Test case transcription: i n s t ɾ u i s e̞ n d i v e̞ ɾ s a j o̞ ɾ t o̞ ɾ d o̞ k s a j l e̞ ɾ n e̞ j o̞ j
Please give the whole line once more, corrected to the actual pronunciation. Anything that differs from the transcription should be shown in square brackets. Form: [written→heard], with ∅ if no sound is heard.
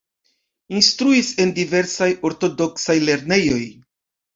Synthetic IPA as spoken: i n s t ɾ u i s e̞ n d i v e̞ ɾ s a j o̞ ɾ t o̞ [ɾ→∅] d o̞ k s a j l e̞ ɾ n e̞ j o̞ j

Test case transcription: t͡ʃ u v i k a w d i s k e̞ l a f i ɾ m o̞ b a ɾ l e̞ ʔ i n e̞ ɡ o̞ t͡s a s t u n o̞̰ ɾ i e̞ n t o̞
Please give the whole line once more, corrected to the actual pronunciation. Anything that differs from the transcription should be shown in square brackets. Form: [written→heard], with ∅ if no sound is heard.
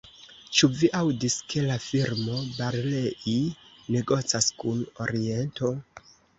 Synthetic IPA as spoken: t͡ʃ u v i [k→ʔ] a w d i s k e̞ l a f i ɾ m o̞ b a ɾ l e̞ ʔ i n e̞ ɡ o̞ t͡s a s [t→k] u n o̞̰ ɾ i e̞ n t o̞

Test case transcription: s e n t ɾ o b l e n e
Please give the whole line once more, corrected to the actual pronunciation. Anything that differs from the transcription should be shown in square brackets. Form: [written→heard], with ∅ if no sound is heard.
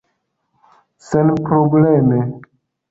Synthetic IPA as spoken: s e n [t→p] ɾ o b l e [n→m] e

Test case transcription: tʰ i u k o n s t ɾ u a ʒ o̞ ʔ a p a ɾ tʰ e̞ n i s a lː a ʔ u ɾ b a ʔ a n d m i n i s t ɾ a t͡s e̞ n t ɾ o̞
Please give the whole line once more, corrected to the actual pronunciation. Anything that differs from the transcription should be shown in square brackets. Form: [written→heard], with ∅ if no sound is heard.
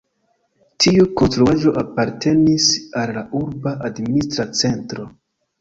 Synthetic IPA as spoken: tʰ i u k o n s t ɾ u a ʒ o̞ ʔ a p a ɾ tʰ e̞ n i s a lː a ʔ u ɾ b a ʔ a [n→∅] d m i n i s t ɾ a t͡s e̞ n t ɾ o̞

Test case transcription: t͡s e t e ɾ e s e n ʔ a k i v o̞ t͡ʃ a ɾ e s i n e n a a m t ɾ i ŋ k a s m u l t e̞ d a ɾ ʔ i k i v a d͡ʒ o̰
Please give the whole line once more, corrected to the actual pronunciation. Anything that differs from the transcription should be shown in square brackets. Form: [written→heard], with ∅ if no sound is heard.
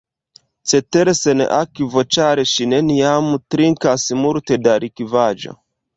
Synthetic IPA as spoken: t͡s e t e ɾ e s e n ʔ a k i v o̞ t͡ʃ a ɾ e [s→ʃ] i n e n [a→i] a m t ɾ i ŋ k a s m u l t e̞ d a ɾ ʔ i k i v a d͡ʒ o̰

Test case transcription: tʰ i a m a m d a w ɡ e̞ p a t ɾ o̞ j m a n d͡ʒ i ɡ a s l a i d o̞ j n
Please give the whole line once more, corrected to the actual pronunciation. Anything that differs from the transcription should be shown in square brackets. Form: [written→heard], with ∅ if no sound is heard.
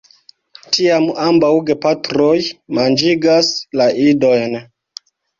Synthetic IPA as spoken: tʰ i a m a m [d→b] a w ɡ e̞ p a t ɾ o̞ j m a n d͡ʒ i ɡ a s l a i d o̞ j n

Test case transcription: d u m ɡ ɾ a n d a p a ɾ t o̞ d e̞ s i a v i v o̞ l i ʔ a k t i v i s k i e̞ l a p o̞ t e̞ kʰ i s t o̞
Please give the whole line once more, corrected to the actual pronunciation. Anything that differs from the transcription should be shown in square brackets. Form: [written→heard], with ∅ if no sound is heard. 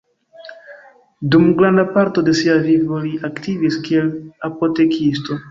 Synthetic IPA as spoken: d u m ɡ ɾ a n d a p a ɾ t o̞ d e̞ s i a v i v o̞ l i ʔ a k t i v i s k i e̞ l a p o̞ t e̞ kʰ i s t o̞

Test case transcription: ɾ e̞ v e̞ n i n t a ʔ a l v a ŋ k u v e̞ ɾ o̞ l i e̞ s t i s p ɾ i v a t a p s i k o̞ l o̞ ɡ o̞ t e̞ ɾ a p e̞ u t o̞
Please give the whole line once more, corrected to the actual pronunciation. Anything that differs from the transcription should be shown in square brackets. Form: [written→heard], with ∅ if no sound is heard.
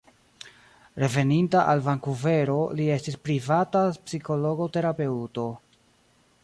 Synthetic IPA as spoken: ɾ e̞ v e̞ n i n t a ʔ a l v a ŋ k u v e̞ ɾ o̞ l i e̞ s t i s p ɾ i v a t a p s i k o̞ l o̞ ɡ o̞ t e̞ ɾ a p e̞ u t o̞

